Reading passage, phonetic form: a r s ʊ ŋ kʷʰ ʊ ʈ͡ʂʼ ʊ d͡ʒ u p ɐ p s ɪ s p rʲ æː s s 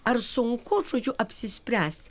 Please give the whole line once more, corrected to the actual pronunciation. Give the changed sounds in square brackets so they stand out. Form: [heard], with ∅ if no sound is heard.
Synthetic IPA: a r s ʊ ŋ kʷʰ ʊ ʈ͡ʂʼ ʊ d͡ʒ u [ʔ] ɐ p s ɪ s p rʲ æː s [t]